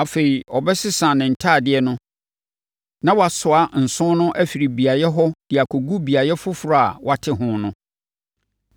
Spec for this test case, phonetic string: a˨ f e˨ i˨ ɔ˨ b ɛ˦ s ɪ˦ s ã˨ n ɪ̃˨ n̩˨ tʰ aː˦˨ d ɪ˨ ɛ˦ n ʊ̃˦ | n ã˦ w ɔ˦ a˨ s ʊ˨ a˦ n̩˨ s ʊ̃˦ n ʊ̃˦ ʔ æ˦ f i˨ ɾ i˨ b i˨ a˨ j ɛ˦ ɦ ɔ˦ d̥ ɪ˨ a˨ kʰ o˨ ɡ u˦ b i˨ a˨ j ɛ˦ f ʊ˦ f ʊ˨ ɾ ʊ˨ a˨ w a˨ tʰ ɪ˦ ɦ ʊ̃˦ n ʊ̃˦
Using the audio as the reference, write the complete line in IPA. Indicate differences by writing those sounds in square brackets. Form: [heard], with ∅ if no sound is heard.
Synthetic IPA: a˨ f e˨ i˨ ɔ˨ b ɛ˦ s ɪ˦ s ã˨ n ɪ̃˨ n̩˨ tʰ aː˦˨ d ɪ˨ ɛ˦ n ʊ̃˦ | n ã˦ w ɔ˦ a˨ s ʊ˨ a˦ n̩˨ s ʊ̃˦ n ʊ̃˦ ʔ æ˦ f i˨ ɾ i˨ b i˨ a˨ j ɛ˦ ɦ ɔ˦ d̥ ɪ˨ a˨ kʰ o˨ ɡ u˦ b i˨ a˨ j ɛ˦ f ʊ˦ f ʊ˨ ɾ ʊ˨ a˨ w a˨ tʰ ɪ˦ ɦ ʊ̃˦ n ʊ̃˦